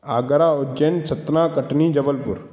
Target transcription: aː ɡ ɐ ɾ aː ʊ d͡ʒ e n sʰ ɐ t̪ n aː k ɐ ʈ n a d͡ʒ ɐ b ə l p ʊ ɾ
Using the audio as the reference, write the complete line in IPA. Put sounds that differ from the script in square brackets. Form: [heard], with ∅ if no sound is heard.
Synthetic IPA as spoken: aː ɡ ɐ ɾ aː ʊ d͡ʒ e n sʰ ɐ t̪ n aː k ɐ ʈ n [i] d͡ʒ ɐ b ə l p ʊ ɾ